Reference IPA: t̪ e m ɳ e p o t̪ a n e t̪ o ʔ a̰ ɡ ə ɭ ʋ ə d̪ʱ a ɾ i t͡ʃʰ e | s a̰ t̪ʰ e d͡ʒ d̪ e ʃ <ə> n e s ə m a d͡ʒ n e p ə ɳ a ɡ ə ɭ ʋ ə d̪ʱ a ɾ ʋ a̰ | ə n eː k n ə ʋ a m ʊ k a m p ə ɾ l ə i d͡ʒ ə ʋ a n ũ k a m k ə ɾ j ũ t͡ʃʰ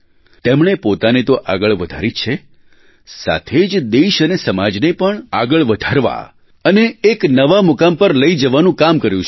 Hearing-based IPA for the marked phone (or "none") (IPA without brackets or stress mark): ə